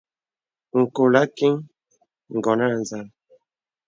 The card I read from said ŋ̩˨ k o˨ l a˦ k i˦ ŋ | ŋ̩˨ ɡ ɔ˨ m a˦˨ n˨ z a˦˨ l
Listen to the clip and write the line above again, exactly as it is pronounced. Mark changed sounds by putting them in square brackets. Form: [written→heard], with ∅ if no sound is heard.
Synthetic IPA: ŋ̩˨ k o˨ l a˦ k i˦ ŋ | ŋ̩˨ ɡ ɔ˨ [m→n] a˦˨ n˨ z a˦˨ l

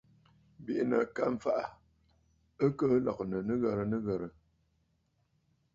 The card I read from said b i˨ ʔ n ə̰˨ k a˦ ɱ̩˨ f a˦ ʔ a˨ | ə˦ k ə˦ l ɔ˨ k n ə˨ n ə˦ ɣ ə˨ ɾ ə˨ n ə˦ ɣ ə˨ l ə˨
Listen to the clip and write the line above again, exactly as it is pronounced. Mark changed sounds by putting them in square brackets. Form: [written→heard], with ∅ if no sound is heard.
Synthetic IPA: b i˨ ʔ n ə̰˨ k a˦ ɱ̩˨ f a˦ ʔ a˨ | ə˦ k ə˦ l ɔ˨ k n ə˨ n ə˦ ɣ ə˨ ɾ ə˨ n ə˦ ɣ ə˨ [l→ɾ] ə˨

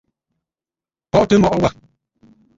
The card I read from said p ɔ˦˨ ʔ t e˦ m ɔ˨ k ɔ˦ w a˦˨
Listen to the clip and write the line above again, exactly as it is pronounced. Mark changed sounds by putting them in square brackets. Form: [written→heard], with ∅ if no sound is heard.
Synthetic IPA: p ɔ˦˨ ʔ t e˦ m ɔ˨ [k→ʔ] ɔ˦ w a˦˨

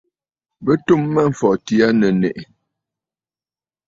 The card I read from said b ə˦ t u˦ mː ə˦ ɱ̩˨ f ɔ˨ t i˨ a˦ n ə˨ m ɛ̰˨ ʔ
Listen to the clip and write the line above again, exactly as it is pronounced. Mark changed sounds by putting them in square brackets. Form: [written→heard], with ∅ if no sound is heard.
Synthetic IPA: b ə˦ t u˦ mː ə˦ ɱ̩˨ f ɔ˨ t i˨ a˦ n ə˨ [m→n] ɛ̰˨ ʔ

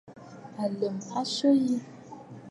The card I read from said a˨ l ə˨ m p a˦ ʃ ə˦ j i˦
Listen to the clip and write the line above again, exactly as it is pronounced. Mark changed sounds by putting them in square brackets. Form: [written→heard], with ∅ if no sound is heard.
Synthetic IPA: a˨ l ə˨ m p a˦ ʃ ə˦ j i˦

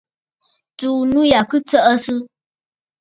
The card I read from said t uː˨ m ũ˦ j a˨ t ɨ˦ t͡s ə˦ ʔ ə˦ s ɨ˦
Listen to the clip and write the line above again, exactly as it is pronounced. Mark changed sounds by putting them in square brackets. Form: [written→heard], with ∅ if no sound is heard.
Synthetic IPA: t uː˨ [m→n] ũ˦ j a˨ [t→k] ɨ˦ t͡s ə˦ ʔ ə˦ s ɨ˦

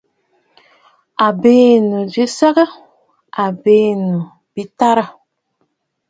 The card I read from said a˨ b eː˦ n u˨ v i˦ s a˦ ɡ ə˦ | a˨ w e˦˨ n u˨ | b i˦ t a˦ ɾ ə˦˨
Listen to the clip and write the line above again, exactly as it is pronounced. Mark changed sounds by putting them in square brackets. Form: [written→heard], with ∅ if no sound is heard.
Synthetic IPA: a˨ b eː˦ n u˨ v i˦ s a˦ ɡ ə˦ | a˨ [w→b] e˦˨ n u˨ | b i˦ t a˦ ɾ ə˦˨

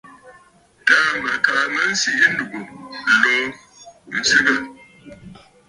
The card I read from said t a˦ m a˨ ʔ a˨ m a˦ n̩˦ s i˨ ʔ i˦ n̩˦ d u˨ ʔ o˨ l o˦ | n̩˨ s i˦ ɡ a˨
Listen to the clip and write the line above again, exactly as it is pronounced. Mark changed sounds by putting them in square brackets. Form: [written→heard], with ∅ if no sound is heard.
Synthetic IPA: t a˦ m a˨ [ʔ→k] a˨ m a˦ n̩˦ s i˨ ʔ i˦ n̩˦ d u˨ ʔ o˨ l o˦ | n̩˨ s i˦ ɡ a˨

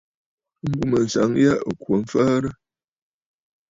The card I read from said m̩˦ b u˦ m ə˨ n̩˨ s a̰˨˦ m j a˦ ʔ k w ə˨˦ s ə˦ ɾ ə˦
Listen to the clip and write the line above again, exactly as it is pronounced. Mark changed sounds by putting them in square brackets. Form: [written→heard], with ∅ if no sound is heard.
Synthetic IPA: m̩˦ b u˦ m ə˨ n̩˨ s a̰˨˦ [m→ŋ] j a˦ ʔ k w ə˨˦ [s→f] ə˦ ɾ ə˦

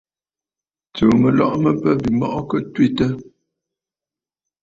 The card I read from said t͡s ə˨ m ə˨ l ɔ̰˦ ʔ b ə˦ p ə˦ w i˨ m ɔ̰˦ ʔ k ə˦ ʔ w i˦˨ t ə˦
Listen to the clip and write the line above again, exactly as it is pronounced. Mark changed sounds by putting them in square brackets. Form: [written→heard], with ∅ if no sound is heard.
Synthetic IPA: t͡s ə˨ m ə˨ l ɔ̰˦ ʔ [b→m] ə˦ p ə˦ [w→b] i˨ m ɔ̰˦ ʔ k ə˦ [ʔ→t] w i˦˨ t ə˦

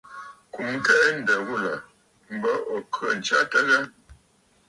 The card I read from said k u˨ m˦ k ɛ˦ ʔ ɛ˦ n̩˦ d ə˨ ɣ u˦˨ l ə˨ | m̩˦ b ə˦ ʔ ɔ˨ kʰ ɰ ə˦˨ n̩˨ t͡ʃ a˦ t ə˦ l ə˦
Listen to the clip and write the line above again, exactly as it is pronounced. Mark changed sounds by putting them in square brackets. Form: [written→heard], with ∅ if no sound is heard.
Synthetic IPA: k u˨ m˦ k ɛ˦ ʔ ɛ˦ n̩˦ d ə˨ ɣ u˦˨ l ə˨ | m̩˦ b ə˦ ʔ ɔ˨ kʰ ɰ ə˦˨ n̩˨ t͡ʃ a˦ t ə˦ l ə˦

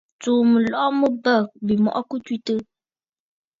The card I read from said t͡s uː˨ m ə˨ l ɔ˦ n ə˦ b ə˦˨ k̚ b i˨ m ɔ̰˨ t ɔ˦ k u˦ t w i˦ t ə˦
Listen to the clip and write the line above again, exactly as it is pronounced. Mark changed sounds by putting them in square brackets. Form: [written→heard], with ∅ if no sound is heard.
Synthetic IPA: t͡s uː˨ m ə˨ l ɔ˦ [n→m] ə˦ b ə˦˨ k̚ b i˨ m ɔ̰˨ [t→ʔ] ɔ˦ k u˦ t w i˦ t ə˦

